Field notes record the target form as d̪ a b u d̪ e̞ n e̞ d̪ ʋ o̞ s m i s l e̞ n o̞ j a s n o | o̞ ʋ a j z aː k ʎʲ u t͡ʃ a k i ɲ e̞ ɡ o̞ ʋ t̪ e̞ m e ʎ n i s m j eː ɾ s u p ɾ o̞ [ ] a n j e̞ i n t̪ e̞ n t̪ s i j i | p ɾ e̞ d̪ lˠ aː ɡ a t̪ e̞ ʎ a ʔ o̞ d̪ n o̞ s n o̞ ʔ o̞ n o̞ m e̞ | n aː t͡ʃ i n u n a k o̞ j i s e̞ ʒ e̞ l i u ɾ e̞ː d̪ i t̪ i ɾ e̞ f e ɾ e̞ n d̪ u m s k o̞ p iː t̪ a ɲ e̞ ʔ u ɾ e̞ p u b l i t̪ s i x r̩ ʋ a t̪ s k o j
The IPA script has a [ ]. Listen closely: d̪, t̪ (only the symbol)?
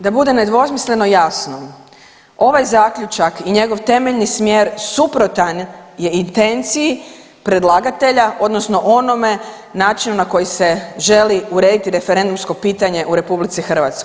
t̪